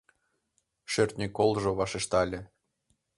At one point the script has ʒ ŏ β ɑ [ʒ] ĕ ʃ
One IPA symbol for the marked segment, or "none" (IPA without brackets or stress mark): ʃ